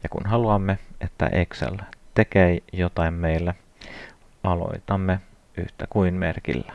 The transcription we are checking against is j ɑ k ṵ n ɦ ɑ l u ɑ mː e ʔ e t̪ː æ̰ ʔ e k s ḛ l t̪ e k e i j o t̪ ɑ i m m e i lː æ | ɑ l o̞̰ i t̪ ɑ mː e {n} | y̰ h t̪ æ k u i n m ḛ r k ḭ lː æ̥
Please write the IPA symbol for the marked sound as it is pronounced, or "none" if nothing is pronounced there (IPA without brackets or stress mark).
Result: none